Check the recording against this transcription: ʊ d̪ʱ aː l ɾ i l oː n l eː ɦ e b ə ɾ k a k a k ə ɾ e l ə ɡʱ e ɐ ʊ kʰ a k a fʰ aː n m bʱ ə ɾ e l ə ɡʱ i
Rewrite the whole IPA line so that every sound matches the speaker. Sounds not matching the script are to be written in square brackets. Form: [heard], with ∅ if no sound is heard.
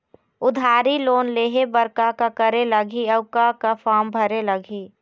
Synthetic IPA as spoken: ʊ d̪ʱ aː [∅] ɾ i l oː n l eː ɦ e b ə ɾ k a k a k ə ɾ e l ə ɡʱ [i] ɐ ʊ [k] a k a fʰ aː [∅] m bʱ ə ɾ e l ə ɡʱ i